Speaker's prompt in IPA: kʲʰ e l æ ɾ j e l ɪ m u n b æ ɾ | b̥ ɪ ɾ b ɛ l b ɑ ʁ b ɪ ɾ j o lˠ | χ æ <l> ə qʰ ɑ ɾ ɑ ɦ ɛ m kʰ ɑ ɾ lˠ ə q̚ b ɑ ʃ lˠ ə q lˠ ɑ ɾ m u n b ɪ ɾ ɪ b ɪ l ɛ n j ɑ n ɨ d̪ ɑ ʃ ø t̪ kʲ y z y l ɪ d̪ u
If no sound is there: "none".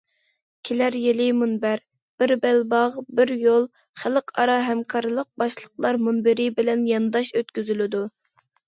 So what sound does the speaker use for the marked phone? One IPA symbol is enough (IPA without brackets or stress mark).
l